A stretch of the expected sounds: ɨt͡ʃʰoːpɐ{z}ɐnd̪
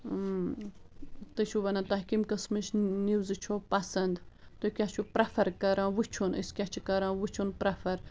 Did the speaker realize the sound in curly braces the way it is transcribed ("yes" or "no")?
no